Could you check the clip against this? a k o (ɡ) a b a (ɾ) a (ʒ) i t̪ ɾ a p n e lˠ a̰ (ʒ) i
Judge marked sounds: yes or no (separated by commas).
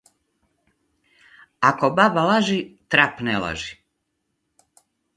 no, no, yes, yes